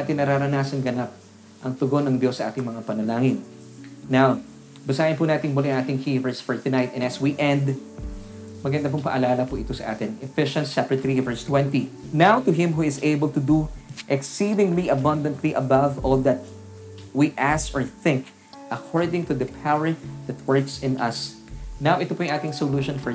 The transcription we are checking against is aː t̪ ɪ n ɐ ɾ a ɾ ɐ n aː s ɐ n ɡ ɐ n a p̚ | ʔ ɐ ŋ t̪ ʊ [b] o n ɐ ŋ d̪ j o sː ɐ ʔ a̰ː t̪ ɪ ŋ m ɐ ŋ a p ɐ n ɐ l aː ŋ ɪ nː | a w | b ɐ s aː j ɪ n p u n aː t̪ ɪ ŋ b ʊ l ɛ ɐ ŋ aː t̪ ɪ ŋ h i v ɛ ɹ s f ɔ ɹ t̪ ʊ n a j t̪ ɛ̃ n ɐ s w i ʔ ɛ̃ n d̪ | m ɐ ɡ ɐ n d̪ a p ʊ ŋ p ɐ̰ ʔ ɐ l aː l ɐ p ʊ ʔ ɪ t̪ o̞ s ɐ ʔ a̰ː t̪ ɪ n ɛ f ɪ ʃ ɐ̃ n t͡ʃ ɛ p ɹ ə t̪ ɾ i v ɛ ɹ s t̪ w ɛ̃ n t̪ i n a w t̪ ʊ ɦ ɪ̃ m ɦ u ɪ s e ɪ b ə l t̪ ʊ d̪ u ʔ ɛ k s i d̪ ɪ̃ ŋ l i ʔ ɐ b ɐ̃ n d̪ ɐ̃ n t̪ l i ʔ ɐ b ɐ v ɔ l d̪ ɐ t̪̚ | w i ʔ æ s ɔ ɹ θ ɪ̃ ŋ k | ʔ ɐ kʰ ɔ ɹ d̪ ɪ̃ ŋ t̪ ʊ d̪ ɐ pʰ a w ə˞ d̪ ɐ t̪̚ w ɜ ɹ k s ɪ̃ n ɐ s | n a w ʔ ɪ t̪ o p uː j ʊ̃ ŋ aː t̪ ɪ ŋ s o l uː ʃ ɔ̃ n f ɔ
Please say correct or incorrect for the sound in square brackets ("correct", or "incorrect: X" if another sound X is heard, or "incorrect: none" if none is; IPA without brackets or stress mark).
incorrect: ɡ